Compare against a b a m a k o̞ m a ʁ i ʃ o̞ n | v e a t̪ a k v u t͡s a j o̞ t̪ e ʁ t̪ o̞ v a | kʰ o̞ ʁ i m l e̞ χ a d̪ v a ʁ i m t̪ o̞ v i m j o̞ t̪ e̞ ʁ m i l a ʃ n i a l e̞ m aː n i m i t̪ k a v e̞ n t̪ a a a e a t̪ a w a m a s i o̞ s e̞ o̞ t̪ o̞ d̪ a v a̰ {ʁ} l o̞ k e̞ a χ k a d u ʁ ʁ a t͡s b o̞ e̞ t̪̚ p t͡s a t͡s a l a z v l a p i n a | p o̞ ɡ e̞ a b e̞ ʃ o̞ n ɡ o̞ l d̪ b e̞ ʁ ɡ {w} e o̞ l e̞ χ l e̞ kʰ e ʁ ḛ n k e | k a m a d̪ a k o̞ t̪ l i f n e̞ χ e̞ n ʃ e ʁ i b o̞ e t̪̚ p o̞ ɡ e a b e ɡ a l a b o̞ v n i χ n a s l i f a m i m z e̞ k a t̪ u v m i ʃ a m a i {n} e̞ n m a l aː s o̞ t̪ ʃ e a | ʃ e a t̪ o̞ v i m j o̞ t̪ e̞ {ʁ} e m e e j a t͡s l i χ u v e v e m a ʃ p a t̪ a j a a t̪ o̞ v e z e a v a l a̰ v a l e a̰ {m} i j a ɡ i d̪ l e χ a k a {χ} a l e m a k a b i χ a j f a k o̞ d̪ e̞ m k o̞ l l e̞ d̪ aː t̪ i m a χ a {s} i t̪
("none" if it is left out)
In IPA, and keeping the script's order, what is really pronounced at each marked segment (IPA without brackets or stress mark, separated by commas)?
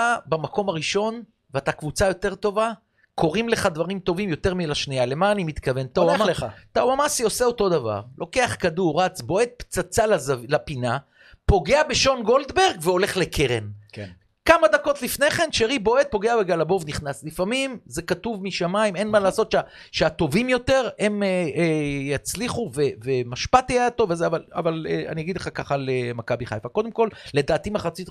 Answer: ʁ, v, m, ʁ, n, χ, t͡s